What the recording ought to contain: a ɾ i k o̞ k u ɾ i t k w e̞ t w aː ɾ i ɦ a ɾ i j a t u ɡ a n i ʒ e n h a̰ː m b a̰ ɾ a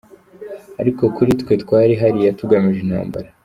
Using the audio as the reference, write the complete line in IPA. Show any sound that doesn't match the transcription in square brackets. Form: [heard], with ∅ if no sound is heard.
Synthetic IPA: a ɾ i k o̞ k u ɾ i t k w e̞ t w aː ɾ i ɦ a ɾ i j a t u ɡ a [m] i ʒ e n h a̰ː m b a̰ ɾ a